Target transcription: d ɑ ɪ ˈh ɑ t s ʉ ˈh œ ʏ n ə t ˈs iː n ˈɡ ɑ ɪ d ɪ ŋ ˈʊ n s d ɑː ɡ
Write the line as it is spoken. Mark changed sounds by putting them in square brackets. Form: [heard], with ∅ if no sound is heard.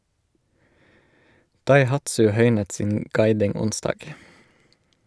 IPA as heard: d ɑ ɪ ˈh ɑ t s ʉ ˈh œ ʏ n ə t ˈs iː n ˈɡ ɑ ɪ d ɪ ŋ ˈʊ n s d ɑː ɡ